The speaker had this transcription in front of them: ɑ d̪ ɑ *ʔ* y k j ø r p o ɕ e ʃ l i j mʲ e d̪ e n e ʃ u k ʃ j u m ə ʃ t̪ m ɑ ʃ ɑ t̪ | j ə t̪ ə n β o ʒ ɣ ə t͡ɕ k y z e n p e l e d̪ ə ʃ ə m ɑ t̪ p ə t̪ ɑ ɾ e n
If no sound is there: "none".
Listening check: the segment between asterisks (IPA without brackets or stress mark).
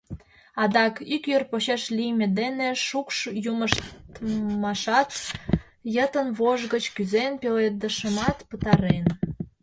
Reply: k